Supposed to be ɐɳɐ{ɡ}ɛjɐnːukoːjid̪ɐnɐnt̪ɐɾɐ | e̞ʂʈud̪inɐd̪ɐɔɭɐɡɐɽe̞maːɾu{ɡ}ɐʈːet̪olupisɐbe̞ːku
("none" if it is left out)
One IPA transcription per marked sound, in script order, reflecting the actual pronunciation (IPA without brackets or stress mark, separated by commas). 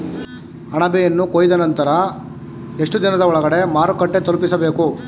b, k